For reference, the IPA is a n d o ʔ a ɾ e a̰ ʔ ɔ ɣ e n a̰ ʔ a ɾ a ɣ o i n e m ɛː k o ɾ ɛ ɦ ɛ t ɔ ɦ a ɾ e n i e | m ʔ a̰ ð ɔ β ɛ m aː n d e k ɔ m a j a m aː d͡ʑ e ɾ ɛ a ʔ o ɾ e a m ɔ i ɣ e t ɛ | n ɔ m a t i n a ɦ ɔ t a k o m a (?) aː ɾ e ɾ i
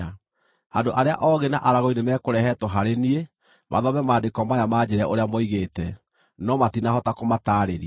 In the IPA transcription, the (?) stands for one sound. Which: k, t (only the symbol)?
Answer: t